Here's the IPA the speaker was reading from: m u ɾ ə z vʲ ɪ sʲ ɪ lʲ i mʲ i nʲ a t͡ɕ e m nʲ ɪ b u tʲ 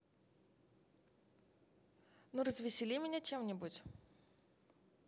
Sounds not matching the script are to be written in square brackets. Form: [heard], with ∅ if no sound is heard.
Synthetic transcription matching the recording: [n] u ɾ ə z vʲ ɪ sʲ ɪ lʲ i mʲ [ɪ] nʲ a t͡ɕ e m nʲ ɪ b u tʲ

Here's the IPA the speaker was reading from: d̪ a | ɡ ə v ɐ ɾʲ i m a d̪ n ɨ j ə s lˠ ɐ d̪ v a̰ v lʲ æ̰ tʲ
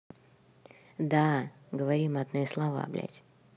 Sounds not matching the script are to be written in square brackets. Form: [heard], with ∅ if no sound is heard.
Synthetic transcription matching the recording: d̪ a | ɡ ə v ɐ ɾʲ i m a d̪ n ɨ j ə s lˠ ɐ [∅] v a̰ [b] lʲ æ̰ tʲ

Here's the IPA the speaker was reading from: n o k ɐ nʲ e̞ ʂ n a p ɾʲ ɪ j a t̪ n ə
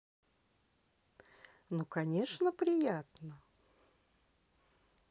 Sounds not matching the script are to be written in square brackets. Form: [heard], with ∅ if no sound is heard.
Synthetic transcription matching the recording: n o k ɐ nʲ e̞ ʂ n [ə] p ɾʲ ɪ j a t̪ n ə

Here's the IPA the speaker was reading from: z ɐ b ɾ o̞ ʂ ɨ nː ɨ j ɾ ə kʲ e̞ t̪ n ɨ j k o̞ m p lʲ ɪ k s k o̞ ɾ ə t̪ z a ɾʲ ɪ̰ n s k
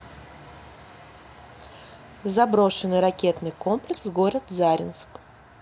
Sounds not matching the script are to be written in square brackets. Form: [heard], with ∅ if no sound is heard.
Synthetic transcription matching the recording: z ɐ b ɾ o̞ ʂ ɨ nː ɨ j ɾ [ɐ] kʲ e̞ t̪ n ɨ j k o̞ m p lʲ ɪ k s [ɡ] o̞ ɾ ə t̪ z a ɾʲ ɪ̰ n s k

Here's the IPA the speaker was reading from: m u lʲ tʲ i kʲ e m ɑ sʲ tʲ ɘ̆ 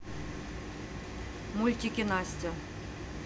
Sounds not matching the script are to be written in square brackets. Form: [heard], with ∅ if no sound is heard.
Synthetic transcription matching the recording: m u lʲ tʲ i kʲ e [n] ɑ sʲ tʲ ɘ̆

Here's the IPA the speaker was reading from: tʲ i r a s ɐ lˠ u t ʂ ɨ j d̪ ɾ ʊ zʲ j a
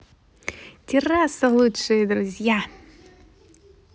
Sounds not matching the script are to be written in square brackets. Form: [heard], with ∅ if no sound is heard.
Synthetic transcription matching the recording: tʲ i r a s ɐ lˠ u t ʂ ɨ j d̪ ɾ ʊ zʲ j a

